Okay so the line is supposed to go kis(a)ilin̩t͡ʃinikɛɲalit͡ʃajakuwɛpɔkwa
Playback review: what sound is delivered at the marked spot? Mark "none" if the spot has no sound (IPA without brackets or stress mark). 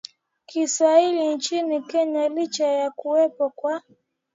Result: a